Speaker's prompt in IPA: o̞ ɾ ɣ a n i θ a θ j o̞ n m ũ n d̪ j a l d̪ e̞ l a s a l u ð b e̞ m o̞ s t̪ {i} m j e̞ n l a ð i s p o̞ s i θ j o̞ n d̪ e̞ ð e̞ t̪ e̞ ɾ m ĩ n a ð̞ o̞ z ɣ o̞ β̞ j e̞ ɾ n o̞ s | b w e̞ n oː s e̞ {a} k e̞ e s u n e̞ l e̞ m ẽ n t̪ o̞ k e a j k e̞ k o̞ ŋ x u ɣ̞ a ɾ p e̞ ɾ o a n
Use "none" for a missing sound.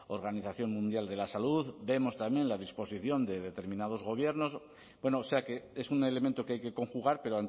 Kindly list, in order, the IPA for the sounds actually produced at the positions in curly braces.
a, a

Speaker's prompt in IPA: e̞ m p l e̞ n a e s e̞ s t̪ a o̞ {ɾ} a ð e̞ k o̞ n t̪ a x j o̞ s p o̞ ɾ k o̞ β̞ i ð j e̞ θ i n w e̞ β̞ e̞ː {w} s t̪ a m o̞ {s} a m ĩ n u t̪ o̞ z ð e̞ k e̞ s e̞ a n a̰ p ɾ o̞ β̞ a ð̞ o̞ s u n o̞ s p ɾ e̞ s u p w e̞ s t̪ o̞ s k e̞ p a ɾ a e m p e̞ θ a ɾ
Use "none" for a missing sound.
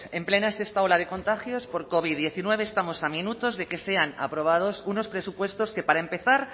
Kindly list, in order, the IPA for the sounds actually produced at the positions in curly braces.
l, none, s

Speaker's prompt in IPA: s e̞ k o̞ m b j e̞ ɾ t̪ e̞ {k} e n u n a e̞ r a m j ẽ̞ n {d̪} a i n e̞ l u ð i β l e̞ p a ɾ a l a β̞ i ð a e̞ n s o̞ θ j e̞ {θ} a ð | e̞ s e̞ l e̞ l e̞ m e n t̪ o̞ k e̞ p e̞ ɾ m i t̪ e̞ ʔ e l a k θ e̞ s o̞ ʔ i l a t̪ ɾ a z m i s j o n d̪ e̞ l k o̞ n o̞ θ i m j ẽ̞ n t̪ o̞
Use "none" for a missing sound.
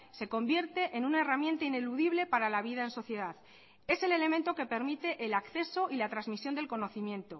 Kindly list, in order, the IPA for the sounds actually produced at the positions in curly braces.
ʔ, t̪, ð

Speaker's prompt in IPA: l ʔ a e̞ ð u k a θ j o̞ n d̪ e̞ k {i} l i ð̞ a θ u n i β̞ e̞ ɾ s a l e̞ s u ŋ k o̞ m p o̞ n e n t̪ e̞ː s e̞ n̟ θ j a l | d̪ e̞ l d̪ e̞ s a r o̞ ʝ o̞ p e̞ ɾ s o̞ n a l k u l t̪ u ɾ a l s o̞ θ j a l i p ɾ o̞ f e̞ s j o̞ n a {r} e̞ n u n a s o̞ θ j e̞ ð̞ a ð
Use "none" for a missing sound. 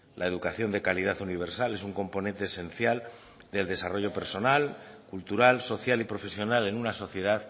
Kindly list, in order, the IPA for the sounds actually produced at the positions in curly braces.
a, l

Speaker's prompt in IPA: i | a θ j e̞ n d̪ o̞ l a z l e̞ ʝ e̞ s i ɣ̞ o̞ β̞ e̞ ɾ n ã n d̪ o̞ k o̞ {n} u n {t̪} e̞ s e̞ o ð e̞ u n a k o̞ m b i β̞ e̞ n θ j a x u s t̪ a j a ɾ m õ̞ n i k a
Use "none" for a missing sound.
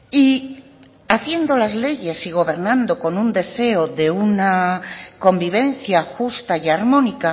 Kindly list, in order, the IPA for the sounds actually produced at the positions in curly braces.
n, d̪

